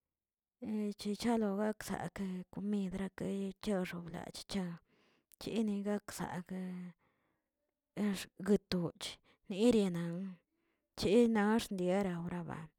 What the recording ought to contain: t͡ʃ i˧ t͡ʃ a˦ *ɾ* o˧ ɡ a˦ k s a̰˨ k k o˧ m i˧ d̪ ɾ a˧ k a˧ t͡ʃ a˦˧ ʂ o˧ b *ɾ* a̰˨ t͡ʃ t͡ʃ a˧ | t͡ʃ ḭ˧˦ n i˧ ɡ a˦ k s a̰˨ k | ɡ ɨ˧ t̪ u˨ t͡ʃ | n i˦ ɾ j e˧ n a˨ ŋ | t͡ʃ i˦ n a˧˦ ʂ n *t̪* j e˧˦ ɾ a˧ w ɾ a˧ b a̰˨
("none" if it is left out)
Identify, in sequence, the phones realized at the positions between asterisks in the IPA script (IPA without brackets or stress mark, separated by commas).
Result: l, l, d̪